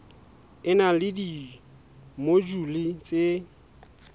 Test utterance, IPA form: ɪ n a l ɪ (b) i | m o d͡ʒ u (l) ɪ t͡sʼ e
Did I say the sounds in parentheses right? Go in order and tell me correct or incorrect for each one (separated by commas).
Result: incorrect, correct